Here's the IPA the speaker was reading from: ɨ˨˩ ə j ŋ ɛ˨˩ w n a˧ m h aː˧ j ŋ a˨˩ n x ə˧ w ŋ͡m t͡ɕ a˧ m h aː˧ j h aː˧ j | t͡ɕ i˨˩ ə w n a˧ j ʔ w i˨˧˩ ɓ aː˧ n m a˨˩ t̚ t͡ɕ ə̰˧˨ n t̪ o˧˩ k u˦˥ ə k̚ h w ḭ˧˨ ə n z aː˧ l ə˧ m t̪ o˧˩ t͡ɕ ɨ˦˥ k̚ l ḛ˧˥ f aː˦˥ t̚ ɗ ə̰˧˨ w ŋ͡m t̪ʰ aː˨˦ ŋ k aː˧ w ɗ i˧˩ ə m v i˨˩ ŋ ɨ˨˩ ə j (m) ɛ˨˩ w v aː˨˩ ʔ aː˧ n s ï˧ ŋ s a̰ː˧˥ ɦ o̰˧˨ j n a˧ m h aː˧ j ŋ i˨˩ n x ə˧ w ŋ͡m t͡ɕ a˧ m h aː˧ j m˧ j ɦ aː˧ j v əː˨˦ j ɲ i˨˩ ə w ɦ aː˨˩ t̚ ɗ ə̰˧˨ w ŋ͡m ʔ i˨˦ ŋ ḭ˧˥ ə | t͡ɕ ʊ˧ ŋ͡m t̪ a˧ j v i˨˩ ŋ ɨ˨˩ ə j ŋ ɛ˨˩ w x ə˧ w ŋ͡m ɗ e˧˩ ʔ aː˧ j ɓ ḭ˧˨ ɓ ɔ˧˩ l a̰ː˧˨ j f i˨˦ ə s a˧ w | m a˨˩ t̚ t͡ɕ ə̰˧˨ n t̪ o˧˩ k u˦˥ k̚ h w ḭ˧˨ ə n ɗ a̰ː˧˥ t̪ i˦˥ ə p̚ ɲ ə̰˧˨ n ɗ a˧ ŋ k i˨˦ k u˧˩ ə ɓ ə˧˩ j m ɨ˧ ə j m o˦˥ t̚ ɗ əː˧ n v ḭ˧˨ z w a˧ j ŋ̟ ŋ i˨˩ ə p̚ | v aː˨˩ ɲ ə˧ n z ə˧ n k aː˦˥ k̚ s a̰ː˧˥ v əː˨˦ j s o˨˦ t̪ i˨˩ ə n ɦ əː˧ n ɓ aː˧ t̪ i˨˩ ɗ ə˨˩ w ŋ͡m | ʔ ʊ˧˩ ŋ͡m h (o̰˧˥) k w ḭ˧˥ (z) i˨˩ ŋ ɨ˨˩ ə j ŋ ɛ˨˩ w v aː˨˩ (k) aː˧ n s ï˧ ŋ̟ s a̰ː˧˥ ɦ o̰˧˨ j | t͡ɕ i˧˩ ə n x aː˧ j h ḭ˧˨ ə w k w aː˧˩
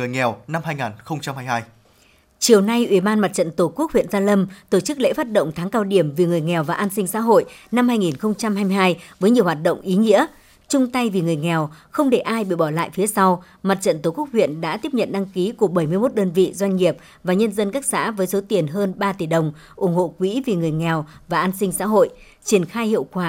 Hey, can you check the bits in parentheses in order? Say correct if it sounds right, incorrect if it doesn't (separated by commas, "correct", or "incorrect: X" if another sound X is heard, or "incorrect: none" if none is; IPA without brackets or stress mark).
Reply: incorrect: ŋ, incorrect: o̰˧˨, incorrect: v, incorrect: ʔ